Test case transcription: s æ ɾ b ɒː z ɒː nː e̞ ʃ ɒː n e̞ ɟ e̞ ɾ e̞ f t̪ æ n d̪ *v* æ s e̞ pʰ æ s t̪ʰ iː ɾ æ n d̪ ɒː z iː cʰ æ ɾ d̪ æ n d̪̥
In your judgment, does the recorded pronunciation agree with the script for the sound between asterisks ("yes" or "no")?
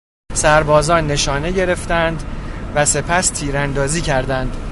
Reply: yes